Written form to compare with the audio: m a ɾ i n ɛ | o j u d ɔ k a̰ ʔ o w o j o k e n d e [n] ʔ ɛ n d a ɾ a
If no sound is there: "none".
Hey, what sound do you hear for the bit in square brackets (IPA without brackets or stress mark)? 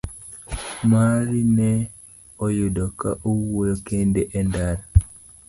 none